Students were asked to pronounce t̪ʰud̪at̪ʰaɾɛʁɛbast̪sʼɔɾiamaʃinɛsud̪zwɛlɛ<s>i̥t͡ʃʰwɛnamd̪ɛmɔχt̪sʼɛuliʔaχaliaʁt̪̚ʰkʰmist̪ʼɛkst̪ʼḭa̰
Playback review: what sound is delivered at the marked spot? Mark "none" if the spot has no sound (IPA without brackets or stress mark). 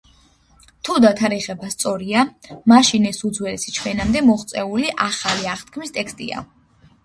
s